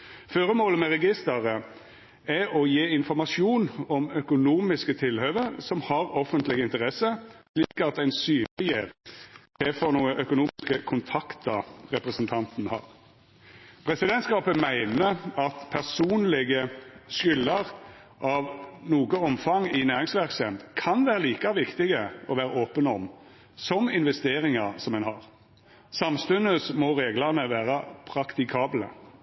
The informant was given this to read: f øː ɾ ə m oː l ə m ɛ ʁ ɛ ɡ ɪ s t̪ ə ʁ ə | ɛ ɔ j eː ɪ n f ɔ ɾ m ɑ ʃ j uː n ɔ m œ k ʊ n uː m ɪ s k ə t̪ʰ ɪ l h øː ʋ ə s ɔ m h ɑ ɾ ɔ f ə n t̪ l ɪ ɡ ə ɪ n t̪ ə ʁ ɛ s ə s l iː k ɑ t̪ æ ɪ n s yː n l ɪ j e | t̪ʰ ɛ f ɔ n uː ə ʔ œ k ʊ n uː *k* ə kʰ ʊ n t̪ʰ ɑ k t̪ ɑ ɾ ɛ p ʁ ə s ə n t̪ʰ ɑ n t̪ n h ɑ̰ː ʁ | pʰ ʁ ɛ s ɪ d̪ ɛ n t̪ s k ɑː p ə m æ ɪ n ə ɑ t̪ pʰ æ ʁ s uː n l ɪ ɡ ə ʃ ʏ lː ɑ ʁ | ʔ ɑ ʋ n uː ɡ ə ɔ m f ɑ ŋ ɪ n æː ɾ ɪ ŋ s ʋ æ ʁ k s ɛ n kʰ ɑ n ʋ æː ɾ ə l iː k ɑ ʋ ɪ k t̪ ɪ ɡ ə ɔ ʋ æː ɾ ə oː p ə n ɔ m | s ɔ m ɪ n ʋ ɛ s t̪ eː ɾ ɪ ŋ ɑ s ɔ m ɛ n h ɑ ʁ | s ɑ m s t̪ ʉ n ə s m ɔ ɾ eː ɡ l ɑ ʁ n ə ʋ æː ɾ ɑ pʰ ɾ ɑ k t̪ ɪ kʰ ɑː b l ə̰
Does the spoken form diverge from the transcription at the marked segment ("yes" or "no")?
no